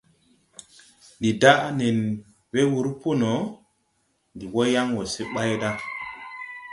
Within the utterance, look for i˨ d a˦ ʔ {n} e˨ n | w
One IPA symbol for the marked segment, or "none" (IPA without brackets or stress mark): n